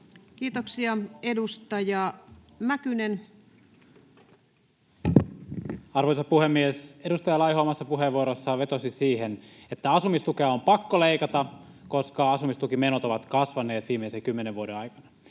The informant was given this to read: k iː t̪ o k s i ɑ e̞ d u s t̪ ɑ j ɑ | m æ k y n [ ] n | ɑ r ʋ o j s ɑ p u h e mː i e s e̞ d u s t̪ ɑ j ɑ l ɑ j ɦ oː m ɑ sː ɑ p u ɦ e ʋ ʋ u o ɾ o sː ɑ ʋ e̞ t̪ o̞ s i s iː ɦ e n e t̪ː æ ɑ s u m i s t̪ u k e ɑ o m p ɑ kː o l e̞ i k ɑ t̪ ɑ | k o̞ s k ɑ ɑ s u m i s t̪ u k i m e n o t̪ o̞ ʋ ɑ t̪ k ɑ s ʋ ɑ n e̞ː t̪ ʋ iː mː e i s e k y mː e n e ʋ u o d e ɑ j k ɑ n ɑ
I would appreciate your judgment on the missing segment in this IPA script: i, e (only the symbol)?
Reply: e